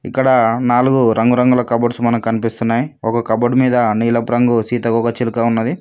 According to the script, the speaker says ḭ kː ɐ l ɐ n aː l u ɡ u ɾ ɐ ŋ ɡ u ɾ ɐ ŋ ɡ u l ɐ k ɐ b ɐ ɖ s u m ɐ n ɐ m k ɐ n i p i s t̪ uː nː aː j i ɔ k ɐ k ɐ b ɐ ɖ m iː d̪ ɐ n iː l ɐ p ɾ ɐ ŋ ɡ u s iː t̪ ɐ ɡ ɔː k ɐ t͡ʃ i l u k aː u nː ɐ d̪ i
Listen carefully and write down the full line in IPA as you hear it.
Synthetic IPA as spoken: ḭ kː ɐ ɽ ɐ n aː l u ɡ u ɾ ɐ ŋ ɡ u ɾ ɐ ŋ ɡ u l ɐ k ɐ b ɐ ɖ s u m ɐ n ɐ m k ɐ n i p i s t̪ u nː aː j i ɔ k ɐ k ɐ b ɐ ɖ m iː d̪ ɐ n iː l ɐ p ɾ ɐ ŋ ɡ u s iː t̪ ɐ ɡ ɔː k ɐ t͡ʃ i l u k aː u nː ɐ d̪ i